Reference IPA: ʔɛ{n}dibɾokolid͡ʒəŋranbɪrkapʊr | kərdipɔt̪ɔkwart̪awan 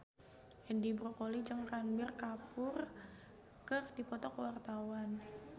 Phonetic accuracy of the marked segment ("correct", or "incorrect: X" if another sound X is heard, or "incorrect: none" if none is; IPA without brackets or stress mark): correct